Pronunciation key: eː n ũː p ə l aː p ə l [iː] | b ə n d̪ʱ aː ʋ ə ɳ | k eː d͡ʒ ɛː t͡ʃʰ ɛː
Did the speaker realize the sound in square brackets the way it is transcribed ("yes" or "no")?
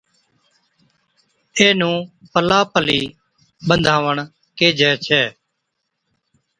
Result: yes